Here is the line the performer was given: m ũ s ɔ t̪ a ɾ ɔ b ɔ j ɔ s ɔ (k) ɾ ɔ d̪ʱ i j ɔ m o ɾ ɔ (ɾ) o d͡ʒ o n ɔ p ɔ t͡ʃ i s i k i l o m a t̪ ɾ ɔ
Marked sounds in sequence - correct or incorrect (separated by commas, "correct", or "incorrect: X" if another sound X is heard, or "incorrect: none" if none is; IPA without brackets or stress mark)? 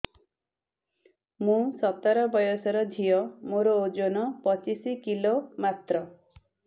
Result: incorrect: none, incorrect: none